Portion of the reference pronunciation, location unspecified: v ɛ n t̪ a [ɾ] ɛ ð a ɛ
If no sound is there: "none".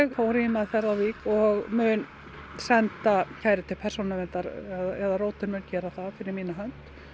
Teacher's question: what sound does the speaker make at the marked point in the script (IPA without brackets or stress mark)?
ɾ